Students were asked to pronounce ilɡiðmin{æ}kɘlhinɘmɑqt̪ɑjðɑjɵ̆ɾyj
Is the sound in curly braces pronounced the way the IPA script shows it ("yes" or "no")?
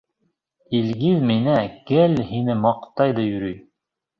yes